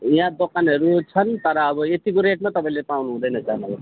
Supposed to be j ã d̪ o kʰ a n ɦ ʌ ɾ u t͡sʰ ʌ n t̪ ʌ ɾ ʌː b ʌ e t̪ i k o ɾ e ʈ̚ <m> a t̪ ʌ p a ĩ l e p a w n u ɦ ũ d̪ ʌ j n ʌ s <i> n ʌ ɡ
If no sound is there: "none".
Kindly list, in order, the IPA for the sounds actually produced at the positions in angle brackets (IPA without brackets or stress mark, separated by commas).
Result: m, a